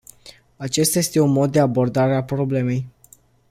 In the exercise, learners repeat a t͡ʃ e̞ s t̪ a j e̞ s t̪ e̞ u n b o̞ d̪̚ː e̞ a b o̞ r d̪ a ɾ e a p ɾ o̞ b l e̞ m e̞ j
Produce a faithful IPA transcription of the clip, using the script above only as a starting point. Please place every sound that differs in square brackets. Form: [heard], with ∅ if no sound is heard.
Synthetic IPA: a t͡ʃ e̞ s t̪ a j e̞ s t̪ e̞ u n [m] o̞ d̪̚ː e̞ a b o̞ r d̪ a ɾ e a p ɾ o̞ b l e̞ m e̞ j